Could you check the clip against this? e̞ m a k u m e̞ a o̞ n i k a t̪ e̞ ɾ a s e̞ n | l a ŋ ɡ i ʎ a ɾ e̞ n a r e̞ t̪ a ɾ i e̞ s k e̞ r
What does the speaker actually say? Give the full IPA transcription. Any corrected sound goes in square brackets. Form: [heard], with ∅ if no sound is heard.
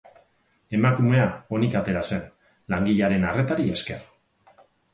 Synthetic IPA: e̞ m a k u m e̞ a o̞ n i k a t̪ e̞ ɾ a s e̞ n | l a ŋ ɡ i ʎ a ɾ e̞ n a r e̞ t̪ a ɾ i e̞ s k e̞ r